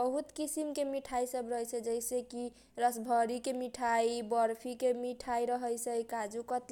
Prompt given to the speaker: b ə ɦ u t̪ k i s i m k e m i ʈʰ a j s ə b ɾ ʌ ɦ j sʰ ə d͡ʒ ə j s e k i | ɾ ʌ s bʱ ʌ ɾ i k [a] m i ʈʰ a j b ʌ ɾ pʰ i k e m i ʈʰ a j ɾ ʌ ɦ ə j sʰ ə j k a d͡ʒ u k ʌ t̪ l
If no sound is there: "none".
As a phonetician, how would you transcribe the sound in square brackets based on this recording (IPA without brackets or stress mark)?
e